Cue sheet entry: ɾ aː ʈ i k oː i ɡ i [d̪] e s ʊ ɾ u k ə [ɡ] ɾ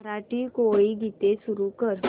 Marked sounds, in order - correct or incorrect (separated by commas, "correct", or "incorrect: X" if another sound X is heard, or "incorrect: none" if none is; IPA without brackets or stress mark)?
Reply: incorrect: t̪, incorrect: none